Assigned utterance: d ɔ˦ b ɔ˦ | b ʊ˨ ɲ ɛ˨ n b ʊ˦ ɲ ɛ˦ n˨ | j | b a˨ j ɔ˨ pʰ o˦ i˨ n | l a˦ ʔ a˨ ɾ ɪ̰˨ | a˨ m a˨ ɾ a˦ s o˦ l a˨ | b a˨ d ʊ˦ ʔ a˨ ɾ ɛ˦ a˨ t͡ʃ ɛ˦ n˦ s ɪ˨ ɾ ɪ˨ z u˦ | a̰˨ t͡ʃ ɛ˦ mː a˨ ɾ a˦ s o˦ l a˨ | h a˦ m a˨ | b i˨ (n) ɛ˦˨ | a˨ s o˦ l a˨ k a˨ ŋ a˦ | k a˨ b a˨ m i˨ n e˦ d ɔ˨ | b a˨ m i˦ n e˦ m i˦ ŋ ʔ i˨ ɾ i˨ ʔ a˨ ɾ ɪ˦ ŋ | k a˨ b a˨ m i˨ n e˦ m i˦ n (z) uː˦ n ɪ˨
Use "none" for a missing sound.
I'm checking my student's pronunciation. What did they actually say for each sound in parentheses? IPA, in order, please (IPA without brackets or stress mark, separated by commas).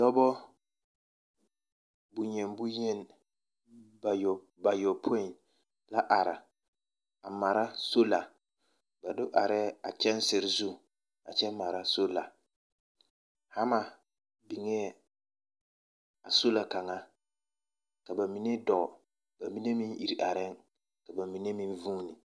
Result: ŋ, v